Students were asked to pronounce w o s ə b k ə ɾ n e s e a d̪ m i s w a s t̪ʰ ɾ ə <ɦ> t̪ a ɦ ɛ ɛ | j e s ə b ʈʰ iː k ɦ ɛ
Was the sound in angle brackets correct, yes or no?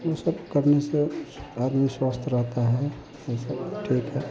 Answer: yes